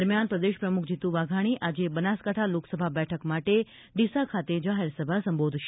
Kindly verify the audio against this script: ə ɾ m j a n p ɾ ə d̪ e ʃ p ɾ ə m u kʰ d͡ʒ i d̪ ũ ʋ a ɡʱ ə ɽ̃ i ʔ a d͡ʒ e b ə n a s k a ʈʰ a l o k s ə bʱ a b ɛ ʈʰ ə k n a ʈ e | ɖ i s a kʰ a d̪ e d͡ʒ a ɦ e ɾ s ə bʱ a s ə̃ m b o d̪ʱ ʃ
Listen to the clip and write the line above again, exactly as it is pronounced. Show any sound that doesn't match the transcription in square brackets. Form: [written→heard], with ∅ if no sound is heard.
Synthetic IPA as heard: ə ɾ m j a n p ɾ ə d̪ e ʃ p ɾ ə m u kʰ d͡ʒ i [d̪→t̪] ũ ʋ a ɡʱ [ə→a] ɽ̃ i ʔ a d͡ʒ e b ə n a s k a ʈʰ a l o k s ə bʱ a b ɛ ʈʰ ə k [n→m] a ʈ e | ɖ i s a kʰ a [d̪→t̪] e d͡ʒ a ɦ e ɾ s ə bʱ a s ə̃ m b o d̪ʱ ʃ